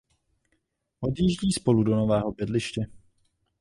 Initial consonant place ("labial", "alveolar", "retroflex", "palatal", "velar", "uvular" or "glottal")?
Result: glottal